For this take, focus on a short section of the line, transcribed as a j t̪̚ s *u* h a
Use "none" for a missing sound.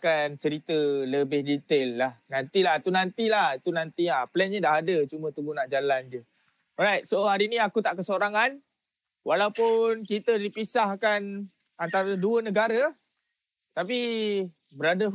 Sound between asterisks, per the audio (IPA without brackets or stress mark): o